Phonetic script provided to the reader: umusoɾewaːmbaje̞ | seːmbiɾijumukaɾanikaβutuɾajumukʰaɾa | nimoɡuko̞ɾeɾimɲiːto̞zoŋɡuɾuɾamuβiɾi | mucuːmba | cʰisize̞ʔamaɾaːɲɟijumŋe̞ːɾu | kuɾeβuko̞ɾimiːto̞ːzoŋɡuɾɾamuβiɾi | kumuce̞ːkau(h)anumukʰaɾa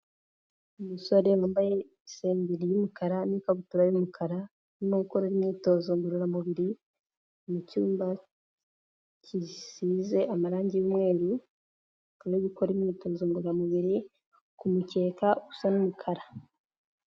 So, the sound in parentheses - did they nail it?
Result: no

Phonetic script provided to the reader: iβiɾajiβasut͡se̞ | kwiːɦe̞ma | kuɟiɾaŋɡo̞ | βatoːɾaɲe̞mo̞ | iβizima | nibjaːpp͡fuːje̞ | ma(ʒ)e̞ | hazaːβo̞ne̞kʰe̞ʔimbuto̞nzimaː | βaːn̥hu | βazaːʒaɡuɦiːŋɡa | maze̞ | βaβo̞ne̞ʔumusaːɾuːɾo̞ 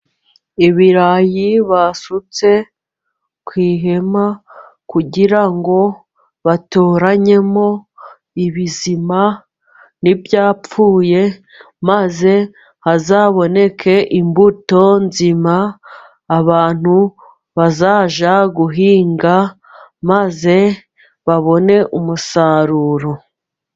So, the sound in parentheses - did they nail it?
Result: no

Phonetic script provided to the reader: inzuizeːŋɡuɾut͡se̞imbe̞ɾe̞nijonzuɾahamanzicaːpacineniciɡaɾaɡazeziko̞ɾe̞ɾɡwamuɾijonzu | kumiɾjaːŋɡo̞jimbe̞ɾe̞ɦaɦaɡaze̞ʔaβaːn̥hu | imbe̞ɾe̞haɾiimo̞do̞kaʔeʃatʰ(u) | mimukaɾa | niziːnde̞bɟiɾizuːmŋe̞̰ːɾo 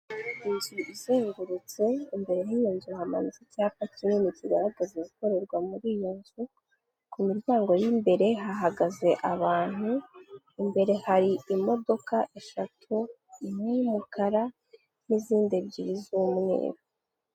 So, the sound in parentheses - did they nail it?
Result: yes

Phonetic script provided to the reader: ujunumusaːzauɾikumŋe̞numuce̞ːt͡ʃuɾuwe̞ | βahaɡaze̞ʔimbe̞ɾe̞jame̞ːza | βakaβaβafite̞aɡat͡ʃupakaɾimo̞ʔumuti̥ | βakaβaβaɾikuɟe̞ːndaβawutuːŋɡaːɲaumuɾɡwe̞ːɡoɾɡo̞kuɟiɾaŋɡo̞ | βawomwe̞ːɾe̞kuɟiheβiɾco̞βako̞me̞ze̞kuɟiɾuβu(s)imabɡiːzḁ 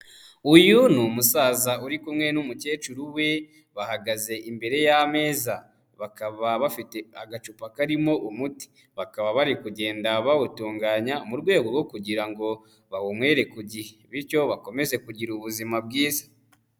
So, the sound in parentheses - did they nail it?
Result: no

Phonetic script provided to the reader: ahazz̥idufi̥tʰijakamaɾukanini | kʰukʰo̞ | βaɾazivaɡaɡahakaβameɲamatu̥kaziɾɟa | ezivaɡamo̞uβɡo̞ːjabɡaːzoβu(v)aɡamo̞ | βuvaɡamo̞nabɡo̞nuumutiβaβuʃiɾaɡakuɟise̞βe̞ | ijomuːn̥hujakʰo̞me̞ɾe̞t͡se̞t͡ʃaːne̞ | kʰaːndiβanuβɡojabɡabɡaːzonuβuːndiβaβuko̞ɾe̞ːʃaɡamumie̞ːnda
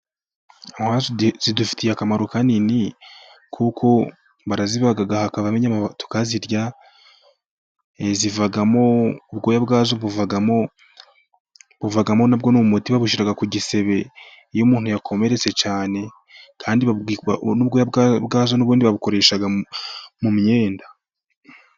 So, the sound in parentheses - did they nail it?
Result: yes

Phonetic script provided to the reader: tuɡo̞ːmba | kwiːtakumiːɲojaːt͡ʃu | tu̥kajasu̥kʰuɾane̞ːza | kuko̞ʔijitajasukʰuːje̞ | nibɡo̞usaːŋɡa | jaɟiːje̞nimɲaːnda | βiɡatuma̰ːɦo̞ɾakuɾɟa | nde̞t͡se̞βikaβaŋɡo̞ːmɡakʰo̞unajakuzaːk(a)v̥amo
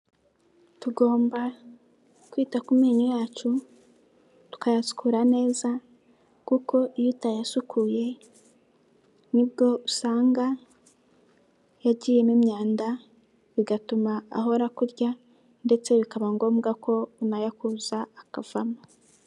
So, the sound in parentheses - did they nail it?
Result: yes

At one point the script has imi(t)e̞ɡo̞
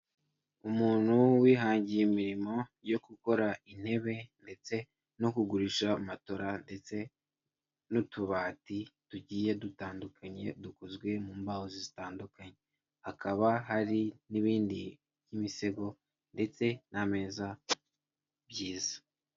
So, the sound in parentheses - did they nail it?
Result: no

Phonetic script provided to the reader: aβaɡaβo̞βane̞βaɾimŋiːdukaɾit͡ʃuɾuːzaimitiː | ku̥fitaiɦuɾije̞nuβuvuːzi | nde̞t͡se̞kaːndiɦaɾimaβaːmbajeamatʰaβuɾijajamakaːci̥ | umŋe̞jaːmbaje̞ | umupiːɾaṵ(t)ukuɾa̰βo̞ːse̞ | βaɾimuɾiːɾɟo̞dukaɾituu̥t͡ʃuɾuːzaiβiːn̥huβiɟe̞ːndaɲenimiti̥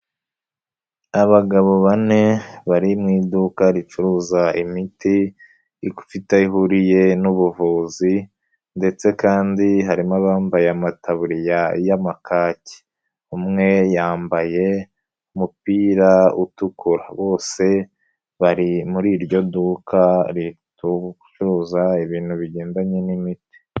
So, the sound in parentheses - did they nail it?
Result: yes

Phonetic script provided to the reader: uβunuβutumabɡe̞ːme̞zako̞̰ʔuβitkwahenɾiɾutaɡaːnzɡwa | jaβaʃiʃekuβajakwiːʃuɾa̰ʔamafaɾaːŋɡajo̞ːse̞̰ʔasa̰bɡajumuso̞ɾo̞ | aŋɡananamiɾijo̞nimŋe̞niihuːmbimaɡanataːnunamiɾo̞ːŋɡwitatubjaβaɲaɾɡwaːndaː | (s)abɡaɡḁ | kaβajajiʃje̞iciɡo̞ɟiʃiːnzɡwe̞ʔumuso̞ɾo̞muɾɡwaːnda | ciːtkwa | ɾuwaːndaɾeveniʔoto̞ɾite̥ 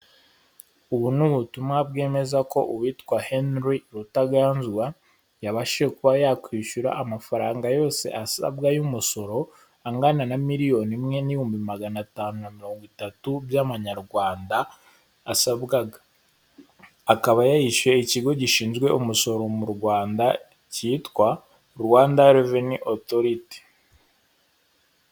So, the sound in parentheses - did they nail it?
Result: yes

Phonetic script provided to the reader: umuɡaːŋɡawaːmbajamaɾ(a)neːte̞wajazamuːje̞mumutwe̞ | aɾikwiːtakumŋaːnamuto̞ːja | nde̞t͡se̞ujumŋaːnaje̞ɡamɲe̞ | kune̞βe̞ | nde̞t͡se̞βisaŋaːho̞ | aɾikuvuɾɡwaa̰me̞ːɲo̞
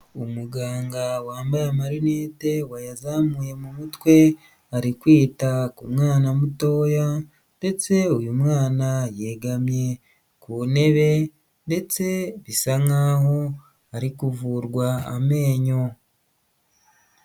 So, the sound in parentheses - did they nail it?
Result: no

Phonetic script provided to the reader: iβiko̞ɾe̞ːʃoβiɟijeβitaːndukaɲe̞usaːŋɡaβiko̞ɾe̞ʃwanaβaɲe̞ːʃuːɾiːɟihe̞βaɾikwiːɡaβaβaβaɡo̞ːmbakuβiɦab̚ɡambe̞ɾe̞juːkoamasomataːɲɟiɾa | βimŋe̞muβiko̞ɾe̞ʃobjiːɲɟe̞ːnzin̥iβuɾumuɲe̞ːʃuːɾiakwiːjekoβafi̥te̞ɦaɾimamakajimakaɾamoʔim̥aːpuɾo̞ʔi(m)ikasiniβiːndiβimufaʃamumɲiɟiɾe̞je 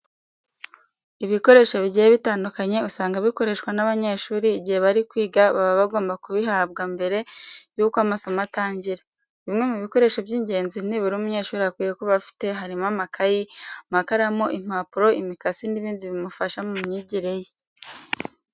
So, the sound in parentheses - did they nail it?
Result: yes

